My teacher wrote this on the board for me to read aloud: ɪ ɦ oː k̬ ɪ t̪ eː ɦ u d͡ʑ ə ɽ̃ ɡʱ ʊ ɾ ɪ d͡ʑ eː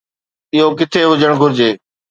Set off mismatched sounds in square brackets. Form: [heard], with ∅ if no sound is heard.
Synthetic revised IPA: ɪ ɦ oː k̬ ɪ [t̪ʰ] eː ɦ [ʊ] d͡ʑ ə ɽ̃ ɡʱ ʊ ɾ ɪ d͡ʑ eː